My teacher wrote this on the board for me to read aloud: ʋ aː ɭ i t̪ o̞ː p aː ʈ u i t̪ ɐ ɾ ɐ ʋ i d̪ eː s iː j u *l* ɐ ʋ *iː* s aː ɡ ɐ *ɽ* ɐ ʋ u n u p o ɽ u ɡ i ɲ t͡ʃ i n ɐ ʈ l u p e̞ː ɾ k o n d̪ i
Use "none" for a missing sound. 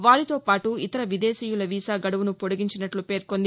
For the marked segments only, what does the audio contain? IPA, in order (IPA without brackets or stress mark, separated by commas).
l, iː, ɽ